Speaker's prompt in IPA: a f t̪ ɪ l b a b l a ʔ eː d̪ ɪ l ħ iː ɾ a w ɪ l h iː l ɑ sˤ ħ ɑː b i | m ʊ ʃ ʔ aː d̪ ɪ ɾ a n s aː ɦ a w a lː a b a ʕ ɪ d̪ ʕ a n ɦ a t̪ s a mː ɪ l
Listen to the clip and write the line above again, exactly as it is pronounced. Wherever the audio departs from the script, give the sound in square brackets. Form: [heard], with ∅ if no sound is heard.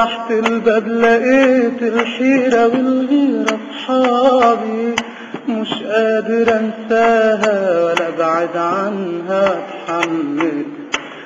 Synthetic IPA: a [ħ] t̪ ɪ l b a b l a ʔ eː [t̪] ɪ l ħ iː ɾ a w ɪ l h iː [ɾ] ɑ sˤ ħ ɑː b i | m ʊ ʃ ʔ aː d̪ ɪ ɾ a n s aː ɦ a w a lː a b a ʕ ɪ d̪ ʕ a n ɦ a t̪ [ħ] a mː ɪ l